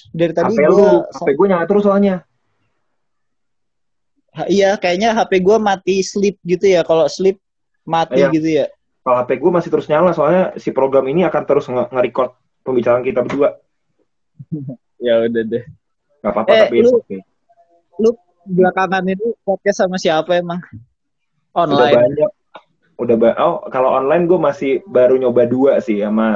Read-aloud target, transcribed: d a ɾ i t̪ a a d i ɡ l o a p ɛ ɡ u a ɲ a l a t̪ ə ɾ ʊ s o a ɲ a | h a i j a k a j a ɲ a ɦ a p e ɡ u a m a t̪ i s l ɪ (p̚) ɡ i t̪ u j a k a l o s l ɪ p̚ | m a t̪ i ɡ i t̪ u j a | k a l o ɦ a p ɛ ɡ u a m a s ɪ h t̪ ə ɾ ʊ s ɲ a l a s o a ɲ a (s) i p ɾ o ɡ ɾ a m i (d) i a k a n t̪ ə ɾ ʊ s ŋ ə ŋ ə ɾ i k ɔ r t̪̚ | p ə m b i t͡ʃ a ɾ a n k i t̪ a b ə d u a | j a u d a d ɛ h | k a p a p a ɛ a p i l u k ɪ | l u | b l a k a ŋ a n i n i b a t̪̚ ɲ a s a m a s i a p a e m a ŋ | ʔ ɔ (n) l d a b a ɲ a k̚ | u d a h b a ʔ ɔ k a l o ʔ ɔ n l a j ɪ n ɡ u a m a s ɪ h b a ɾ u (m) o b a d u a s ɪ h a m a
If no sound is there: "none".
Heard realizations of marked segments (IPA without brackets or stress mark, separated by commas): p̚, s, n, n, ɲ